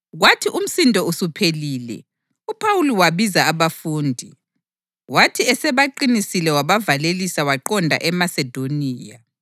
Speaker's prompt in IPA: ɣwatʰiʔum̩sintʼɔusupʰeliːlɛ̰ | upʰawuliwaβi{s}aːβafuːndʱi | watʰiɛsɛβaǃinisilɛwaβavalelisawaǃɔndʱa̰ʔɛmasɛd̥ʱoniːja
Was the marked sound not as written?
yes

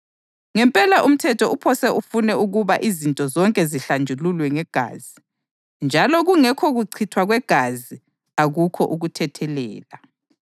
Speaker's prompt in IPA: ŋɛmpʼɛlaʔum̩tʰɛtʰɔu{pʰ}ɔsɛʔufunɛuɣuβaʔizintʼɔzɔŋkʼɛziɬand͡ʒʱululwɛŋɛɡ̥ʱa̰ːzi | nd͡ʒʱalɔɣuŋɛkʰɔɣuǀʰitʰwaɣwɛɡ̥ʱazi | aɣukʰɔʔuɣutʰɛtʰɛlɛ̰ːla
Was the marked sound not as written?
no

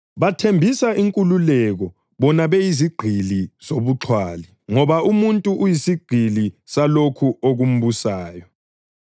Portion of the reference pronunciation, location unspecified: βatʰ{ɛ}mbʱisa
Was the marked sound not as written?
yes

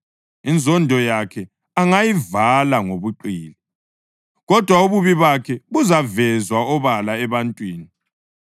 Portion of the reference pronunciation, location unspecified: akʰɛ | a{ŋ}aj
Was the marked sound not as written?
no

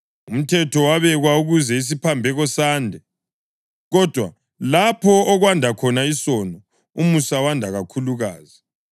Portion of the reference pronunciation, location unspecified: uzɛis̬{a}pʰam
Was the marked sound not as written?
yes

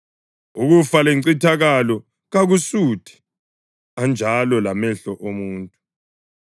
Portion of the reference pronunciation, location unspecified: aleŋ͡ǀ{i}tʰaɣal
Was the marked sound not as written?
no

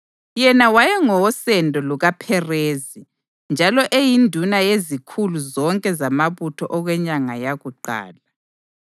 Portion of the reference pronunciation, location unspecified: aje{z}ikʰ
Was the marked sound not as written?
no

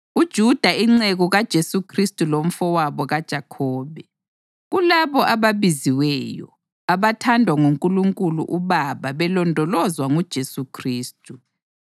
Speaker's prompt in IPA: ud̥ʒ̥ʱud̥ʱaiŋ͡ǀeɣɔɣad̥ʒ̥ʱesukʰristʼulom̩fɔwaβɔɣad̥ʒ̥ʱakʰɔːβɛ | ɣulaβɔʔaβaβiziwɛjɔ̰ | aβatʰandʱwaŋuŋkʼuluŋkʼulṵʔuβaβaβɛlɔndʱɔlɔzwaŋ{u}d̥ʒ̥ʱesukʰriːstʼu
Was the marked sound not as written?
no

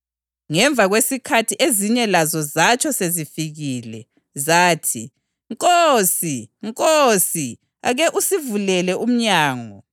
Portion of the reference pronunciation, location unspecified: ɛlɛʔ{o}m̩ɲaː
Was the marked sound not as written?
yes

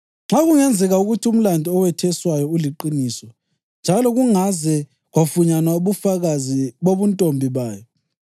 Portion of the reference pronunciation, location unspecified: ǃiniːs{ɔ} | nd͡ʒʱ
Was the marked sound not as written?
no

